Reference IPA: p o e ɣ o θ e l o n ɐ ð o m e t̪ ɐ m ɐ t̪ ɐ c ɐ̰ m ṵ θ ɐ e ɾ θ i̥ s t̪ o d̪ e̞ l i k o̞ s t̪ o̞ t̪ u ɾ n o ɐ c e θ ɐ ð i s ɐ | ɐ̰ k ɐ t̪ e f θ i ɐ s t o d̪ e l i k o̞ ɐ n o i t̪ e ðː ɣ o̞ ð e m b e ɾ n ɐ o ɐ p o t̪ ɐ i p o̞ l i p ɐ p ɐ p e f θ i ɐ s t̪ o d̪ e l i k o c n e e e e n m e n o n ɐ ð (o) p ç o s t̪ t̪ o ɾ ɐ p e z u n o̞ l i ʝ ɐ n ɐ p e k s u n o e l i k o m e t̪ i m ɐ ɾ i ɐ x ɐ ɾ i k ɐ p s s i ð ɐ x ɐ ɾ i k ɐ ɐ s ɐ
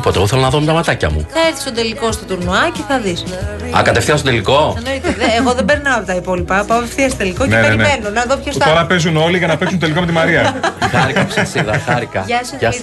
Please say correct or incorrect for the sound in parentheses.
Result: correct